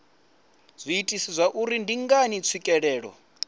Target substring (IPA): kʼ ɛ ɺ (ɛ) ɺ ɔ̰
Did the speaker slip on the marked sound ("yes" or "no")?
yes